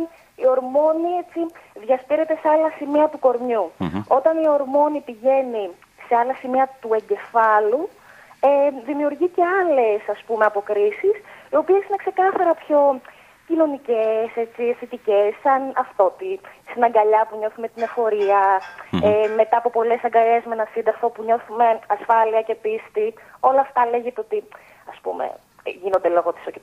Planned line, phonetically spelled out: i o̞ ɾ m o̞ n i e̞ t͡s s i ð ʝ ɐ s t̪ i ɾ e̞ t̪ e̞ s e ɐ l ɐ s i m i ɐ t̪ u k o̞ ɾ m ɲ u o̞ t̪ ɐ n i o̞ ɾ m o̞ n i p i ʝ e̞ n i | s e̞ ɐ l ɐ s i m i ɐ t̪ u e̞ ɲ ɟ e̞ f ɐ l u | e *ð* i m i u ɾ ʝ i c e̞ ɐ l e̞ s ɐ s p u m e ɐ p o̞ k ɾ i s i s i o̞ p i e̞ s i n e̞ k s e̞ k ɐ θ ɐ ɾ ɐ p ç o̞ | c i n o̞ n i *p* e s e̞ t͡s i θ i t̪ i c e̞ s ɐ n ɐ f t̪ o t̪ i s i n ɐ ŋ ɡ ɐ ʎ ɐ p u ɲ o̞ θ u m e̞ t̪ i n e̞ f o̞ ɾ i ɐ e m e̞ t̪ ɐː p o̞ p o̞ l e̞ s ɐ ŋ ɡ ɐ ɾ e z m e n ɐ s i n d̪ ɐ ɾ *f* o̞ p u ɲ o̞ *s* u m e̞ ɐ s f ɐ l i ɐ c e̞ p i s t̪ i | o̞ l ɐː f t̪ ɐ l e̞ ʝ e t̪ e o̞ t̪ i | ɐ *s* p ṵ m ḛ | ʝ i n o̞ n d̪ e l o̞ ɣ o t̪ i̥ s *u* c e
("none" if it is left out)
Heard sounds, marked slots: ð, c, f, θ, s, o

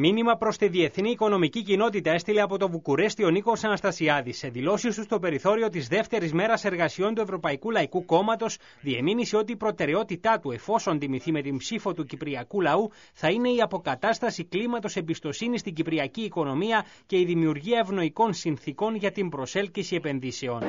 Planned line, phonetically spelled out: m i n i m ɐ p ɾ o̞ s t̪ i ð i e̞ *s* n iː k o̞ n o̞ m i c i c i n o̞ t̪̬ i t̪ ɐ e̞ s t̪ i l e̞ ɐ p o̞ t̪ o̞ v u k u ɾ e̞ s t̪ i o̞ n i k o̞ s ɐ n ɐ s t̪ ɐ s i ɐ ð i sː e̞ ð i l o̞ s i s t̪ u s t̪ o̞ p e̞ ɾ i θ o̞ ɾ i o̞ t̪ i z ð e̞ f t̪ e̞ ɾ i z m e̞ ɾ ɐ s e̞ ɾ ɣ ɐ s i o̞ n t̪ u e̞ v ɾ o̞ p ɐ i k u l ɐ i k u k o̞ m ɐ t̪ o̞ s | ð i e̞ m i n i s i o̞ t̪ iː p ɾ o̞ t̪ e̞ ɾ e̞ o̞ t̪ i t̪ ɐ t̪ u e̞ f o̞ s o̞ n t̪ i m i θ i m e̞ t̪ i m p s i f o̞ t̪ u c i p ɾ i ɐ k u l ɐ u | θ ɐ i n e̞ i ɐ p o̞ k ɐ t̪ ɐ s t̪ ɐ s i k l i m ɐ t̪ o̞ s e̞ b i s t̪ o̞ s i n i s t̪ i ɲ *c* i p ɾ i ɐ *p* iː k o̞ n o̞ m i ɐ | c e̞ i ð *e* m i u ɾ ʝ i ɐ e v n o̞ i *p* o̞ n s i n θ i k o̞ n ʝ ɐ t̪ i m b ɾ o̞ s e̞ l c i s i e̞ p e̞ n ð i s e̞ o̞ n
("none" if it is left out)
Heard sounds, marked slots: θ, ɟ, c, i, k

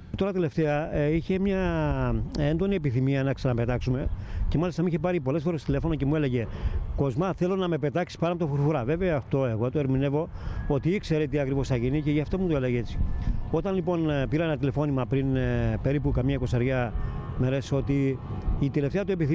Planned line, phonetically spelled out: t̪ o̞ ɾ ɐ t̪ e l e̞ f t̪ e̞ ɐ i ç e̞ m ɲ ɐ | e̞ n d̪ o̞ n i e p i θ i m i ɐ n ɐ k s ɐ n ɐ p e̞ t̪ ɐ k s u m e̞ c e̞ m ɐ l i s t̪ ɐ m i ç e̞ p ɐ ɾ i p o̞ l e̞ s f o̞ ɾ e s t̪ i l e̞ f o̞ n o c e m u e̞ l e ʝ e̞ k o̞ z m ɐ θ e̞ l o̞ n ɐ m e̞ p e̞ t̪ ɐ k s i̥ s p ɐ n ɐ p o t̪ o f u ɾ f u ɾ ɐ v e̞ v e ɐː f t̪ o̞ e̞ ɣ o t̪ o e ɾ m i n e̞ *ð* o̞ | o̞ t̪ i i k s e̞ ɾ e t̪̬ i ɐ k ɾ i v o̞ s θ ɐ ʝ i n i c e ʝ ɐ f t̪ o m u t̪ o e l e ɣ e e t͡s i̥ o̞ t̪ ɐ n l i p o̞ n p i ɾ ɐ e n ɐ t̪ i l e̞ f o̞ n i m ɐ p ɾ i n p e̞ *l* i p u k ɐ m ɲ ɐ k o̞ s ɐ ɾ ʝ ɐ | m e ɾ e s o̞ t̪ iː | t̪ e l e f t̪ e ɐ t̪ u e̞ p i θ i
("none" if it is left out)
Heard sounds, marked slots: v, ɾ

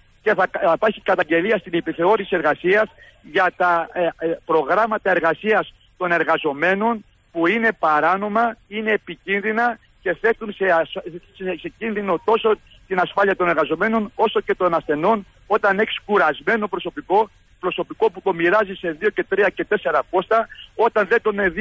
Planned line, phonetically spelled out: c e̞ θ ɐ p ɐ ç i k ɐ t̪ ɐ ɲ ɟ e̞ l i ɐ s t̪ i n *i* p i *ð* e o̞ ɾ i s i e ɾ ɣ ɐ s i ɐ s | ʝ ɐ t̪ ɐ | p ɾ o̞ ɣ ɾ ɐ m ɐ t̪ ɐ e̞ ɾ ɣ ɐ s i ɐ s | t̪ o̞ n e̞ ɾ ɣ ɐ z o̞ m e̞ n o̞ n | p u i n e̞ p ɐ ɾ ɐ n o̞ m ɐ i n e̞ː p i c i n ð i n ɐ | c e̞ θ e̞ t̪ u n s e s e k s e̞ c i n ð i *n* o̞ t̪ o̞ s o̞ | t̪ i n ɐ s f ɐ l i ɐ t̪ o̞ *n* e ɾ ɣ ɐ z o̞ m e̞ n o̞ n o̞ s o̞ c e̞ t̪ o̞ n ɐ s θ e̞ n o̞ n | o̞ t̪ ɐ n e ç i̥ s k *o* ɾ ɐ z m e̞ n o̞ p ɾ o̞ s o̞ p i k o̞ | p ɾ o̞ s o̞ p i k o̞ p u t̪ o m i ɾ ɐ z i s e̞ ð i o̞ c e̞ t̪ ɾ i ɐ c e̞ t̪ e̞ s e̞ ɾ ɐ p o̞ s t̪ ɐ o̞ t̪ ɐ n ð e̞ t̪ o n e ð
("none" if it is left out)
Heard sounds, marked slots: i, θ, n, n, u

